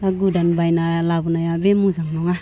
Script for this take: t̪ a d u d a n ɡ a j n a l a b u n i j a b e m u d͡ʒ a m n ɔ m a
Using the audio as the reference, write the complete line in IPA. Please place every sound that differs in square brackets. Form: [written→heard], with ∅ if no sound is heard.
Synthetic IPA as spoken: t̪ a [d→ɡ] u d a n [ɡ→b] a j n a l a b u n [i→a] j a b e m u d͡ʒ a [m→ŋ] n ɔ [m→ŋ] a